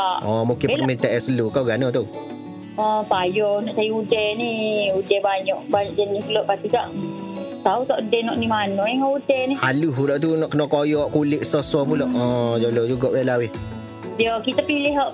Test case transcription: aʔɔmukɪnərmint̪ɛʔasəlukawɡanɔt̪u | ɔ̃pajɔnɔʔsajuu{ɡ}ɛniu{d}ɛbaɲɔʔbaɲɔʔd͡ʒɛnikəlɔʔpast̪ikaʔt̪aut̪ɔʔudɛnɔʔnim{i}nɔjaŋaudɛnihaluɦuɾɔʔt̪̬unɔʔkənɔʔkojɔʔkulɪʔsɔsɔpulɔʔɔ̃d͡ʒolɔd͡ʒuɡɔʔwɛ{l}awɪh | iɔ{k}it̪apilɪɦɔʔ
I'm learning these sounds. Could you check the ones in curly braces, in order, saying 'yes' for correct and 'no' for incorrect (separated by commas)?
no, yes, no, yes, yes